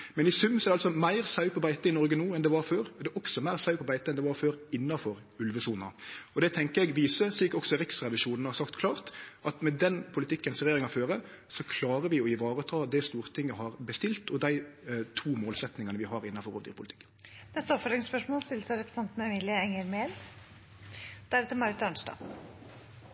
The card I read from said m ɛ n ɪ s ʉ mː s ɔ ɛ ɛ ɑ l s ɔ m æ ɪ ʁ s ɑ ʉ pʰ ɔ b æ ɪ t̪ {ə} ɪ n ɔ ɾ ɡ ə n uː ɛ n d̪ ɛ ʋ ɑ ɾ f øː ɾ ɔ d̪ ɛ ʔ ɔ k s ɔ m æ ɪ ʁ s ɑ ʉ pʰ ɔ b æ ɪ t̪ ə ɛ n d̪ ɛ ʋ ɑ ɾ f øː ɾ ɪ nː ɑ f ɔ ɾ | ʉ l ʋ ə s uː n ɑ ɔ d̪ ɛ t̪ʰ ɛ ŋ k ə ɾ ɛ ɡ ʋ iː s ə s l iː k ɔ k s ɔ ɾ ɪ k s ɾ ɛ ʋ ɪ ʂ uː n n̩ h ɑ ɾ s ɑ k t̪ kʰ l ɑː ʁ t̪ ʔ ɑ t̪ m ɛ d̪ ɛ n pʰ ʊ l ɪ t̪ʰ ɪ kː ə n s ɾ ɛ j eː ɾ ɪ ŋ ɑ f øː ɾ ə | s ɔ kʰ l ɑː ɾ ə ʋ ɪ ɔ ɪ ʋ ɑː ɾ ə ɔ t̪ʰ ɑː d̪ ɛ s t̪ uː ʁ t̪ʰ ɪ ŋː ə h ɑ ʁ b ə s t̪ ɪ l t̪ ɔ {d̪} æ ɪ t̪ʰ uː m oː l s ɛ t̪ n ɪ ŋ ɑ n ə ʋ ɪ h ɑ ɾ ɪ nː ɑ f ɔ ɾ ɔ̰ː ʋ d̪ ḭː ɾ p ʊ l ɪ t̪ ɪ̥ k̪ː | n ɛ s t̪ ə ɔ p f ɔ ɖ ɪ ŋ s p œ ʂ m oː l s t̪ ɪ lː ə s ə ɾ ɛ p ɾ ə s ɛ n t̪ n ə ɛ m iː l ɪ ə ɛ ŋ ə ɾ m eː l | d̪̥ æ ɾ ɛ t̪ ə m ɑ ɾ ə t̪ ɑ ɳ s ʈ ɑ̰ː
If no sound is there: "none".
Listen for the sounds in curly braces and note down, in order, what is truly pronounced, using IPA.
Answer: ə, d̪

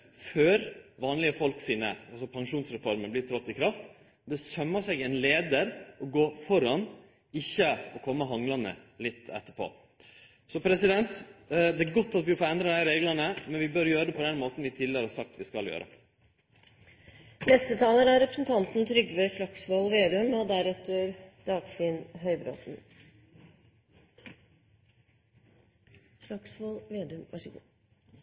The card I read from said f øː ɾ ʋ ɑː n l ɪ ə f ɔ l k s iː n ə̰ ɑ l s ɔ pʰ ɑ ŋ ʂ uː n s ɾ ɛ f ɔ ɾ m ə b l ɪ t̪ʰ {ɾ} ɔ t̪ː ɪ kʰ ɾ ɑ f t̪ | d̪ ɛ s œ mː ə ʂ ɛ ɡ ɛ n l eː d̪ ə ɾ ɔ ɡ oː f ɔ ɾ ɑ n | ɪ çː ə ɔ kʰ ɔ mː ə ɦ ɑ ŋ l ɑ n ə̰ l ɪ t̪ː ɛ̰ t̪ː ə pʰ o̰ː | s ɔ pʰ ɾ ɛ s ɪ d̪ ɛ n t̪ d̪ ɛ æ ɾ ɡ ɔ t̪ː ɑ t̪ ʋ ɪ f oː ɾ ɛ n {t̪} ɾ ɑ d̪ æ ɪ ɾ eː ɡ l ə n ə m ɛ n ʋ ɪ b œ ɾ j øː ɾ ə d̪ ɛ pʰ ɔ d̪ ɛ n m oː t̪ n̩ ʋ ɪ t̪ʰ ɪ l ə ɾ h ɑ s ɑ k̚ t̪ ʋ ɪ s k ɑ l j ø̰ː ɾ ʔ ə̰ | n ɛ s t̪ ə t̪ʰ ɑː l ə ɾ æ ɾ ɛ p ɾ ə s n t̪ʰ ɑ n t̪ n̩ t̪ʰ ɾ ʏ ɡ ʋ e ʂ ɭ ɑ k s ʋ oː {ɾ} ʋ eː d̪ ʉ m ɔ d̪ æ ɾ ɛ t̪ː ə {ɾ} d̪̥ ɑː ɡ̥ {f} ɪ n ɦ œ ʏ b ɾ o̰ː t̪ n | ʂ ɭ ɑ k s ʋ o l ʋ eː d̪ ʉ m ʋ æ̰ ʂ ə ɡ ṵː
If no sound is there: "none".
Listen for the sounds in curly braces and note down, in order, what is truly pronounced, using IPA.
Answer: ɾ, d̪, l, ɾ, f

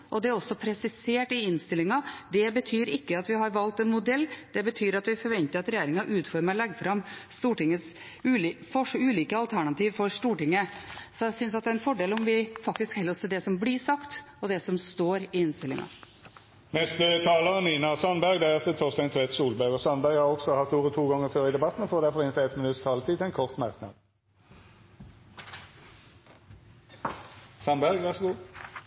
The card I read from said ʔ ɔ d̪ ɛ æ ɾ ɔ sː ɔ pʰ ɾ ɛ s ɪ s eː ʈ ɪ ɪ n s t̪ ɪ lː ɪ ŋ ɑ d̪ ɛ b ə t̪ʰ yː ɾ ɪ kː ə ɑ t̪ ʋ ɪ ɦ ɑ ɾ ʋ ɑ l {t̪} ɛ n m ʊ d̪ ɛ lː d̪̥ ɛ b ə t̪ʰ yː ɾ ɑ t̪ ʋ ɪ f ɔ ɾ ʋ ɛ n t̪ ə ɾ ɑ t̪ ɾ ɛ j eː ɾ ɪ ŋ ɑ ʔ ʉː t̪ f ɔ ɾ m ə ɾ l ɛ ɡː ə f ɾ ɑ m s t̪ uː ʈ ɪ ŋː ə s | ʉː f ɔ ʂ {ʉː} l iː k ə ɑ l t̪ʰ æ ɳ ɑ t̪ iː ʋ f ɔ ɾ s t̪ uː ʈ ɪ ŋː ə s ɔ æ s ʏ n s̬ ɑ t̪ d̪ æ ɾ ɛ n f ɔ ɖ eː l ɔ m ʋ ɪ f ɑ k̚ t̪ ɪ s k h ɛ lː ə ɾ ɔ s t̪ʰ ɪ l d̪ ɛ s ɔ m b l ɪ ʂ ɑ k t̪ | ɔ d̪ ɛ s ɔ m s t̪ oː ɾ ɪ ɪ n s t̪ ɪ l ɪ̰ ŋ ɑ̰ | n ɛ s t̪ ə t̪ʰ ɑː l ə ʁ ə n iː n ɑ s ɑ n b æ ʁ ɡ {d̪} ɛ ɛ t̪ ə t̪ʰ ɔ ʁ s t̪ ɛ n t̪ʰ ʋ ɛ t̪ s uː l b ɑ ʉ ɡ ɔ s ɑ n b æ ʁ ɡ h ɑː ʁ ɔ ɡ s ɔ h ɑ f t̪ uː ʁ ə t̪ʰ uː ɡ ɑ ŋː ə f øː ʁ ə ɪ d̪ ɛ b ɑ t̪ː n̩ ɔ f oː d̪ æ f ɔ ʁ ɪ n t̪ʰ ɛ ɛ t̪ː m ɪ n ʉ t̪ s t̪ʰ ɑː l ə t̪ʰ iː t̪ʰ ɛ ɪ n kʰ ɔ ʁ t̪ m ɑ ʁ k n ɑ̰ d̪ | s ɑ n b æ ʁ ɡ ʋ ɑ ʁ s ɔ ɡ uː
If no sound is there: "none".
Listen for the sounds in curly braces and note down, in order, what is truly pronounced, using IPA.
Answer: t̪, ʉː, d̪

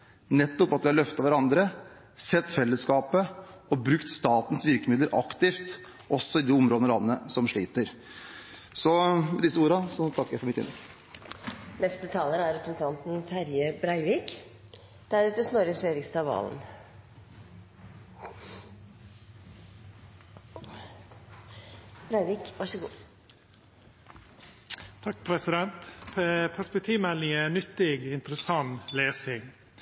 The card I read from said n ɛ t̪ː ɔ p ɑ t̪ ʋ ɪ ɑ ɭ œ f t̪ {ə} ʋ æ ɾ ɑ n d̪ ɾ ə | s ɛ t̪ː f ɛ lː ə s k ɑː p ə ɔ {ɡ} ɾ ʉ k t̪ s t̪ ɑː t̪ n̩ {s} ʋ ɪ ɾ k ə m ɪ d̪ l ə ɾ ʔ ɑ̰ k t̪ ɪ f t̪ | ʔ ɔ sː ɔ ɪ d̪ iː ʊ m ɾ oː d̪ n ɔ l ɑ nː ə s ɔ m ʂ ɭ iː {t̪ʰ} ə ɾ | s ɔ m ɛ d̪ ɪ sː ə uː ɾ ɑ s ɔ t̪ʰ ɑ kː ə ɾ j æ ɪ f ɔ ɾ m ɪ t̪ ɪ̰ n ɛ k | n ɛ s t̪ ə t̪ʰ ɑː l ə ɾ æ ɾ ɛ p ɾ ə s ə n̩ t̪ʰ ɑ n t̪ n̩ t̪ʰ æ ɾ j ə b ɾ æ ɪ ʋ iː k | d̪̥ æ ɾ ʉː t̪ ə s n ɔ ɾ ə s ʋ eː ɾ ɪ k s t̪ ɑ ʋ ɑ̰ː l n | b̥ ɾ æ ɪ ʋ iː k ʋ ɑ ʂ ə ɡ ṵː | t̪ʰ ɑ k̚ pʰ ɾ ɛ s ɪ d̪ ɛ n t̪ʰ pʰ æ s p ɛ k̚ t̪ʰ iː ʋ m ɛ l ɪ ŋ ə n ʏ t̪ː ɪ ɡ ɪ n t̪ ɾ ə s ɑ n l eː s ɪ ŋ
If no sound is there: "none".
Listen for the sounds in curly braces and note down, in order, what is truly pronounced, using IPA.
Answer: ɑ, b, s, t̪

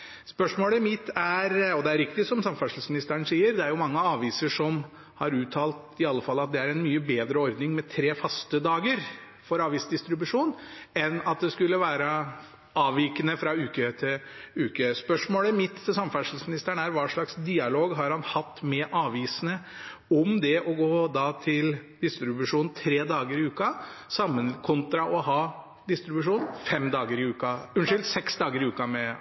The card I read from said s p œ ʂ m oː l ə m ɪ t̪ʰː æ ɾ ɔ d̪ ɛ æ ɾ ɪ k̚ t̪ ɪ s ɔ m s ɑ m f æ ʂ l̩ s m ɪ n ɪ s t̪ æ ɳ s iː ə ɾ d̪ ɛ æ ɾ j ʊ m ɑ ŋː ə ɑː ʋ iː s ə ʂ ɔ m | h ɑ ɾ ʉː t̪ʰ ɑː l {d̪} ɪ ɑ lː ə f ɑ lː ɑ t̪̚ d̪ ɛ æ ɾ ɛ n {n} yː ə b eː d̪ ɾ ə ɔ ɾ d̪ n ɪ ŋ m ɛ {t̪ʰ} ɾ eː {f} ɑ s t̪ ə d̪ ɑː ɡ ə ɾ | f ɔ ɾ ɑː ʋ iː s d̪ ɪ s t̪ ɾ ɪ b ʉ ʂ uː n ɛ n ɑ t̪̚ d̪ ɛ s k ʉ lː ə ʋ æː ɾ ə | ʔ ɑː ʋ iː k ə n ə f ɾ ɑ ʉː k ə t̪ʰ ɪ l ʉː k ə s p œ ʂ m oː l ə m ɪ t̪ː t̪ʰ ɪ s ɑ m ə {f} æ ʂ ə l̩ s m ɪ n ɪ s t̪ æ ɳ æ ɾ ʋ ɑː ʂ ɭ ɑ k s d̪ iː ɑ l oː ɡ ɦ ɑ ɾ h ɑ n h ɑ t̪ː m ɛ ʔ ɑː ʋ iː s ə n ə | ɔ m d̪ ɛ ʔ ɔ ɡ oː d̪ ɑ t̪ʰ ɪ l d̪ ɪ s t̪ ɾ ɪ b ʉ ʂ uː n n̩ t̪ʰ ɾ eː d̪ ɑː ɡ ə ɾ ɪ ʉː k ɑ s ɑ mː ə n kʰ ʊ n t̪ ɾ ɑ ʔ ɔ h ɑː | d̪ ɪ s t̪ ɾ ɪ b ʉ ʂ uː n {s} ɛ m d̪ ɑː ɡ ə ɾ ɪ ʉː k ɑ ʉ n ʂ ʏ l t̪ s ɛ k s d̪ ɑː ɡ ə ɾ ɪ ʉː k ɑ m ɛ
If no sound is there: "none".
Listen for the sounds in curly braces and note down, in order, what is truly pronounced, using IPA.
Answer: t̪, m, t̪ʰ, f, f, f

